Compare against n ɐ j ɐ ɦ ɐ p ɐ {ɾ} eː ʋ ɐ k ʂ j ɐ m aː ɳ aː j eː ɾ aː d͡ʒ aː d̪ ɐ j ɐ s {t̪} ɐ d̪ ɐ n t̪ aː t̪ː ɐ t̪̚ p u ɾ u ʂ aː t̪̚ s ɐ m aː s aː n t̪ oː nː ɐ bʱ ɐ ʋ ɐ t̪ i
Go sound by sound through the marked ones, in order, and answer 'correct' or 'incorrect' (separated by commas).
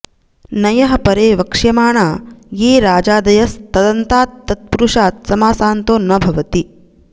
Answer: correct, correct